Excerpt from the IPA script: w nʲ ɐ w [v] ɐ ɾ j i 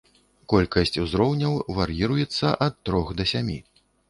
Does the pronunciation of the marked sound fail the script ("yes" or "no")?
no